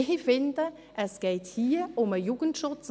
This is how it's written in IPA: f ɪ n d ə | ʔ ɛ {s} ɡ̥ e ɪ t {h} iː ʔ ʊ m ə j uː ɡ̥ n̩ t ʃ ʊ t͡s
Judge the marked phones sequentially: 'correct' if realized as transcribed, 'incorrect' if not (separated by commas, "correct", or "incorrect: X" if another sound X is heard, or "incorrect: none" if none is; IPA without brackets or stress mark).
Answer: correct, correct